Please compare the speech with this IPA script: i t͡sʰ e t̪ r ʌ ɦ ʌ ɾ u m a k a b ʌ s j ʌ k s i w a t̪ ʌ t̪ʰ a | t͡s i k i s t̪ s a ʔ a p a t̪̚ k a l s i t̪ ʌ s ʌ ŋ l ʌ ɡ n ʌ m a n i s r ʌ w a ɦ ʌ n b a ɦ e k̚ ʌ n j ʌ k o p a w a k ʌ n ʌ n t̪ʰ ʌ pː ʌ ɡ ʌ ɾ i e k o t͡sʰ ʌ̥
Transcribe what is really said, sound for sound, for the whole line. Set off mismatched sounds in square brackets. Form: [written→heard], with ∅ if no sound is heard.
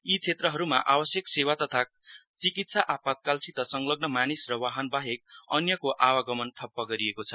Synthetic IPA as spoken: i t͡sʰ e t̪ r ʌ ɦ ʌ ɾ u m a [k→ʔ] a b ʌ s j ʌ k s [i→e] w a t̪ ʌ t̪ʰ a | t͡s i k i [s→∅] t̪ s a ʔ a p a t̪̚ k a l s i t̪ ʌ s ʌ ŋ l ʌ ɡ n ʌ m a n i s r ʌ w a ɦ ʌ n b a ɦ e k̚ ʌ n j ʌ k o [p→ʔ] a w a [k→ɡ] ʌ [n→m] ʌ n t̪ʰ ʌ pː ʌ ɡ ʌ ɾ i e k o t͡sʰ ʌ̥